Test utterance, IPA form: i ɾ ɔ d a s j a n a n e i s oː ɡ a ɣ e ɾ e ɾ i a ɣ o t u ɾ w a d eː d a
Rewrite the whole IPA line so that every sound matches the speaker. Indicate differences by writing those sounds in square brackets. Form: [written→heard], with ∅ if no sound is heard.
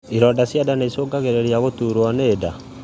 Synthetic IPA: i ɾ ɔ d a s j a [n→d] a n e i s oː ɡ a ɣ e ɾ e ɾ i a ɣ o t u ɾ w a [d→n] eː d a